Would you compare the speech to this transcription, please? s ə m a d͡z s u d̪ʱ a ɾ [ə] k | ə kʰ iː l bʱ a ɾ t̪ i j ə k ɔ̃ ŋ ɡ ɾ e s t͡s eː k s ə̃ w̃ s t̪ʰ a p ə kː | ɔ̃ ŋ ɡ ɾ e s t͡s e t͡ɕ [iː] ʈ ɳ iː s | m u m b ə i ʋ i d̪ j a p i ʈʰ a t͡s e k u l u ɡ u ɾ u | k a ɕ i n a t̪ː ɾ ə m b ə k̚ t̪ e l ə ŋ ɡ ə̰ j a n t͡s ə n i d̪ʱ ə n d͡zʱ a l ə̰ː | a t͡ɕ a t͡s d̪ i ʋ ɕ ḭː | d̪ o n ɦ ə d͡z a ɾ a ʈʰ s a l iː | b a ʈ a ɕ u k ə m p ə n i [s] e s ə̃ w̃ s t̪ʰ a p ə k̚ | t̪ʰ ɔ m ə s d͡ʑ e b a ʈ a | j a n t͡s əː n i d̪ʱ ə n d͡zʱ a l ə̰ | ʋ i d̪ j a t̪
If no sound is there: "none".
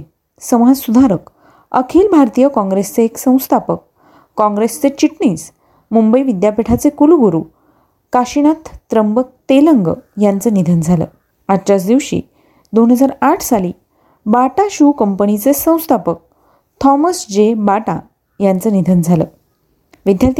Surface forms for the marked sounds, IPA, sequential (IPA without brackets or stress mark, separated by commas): ə, i, t͡s